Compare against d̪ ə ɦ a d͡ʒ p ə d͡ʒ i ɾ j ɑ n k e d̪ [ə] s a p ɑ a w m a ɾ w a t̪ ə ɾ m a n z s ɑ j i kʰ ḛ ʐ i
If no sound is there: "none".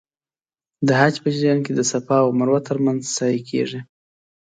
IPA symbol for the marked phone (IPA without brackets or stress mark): ə